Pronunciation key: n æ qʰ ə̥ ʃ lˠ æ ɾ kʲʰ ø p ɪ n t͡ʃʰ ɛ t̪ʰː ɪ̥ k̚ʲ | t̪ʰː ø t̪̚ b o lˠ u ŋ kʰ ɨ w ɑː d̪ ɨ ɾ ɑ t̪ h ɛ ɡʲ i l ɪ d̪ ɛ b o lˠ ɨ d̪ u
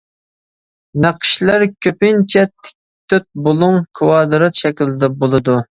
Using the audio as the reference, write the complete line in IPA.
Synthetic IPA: n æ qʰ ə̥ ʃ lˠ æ ɾ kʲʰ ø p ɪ n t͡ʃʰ ɛ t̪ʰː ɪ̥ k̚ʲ | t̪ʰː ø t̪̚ b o lˠ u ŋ kʰ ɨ w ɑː d̪ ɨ ɾ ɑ t̪ ʃ ɛ kʲ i l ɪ d̪ ɛ b o lˠ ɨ d̪ u